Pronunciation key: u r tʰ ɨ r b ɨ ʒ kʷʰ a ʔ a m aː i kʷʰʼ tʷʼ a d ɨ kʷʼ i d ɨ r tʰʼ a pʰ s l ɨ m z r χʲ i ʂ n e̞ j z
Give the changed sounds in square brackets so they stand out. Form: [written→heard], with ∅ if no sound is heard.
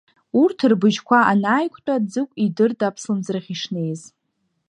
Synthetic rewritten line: u r tʰ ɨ r b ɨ ʒ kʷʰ a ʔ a [m→n] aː [i→j] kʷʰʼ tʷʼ a [d→d͡z] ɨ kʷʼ i d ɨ r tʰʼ a pʰ s l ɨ m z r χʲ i ʂ n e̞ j z